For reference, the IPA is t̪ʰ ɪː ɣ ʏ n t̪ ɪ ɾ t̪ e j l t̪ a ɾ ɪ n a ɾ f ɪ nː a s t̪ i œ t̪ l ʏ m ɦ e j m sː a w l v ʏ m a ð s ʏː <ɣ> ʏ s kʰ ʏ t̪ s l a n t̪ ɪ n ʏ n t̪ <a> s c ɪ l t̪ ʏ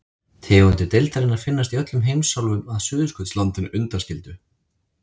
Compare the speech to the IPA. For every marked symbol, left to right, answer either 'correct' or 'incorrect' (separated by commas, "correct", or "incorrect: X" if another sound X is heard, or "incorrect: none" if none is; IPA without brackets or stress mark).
incorrect: ð, correct